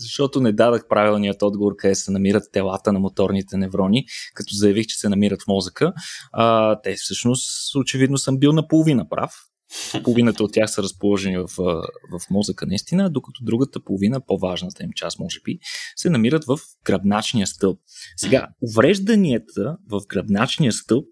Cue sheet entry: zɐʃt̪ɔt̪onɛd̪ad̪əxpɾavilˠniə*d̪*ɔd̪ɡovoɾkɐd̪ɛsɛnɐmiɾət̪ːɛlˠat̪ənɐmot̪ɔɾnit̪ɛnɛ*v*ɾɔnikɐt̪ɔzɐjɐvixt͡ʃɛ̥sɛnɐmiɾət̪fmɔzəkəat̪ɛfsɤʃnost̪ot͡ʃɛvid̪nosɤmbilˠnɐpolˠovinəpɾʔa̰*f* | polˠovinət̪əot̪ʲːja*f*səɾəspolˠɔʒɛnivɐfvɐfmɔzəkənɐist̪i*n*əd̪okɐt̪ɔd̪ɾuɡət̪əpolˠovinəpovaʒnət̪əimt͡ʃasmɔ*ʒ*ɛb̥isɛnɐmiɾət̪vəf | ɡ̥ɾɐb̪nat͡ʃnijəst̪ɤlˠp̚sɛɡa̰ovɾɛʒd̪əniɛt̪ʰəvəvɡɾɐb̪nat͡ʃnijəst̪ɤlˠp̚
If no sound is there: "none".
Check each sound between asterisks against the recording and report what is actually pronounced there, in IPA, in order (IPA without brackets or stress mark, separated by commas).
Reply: t̪, v, f, x, n, ʒ